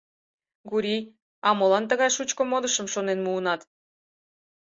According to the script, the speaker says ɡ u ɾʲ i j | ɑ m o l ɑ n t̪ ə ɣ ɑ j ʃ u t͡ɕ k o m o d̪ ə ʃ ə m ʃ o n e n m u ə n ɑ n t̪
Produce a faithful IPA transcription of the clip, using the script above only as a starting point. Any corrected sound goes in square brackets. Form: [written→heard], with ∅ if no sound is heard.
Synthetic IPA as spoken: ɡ u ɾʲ i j | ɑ m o l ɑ n t̪ ə ɣ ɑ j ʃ u t͡ɕ k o m o d̪ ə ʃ ə m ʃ o n e n m u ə n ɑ [n→∅] t̪